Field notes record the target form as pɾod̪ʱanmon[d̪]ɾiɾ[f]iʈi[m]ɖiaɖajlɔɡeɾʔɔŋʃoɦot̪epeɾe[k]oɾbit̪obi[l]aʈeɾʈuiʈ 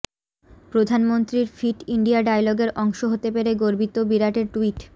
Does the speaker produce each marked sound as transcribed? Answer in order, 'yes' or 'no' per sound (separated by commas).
no, yes, no, no, no